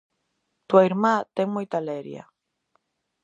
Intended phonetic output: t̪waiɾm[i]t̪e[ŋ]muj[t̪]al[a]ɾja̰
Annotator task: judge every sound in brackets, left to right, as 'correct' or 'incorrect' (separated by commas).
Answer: incorrect, correct, correct, incorrect